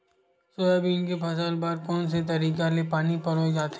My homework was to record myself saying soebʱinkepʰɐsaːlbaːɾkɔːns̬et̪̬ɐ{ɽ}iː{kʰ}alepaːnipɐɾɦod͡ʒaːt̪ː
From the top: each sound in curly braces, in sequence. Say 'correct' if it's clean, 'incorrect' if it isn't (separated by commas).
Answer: incorrect, incorrect